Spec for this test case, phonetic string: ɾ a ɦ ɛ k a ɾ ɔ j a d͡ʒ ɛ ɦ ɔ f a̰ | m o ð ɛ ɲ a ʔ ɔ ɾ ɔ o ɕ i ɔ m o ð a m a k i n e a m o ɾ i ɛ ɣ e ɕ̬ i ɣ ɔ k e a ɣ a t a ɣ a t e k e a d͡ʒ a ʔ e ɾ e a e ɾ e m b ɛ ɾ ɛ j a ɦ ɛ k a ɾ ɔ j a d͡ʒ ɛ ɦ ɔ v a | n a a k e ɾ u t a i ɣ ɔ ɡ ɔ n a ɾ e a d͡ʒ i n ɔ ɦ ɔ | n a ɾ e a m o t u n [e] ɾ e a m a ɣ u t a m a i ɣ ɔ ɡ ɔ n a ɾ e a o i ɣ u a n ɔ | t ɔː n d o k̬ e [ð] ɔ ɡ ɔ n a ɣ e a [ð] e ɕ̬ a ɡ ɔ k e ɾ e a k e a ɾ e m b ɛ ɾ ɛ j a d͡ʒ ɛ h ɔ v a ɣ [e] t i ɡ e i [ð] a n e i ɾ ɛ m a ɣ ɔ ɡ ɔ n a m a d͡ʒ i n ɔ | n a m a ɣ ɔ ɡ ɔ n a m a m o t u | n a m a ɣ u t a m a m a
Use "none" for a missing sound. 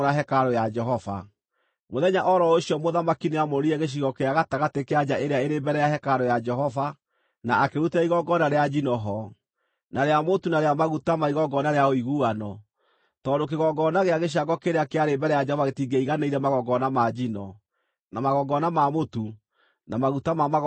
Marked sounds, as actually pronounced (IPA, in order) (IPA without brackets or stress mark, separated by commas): a, ɣ, ɣ, e, ɣ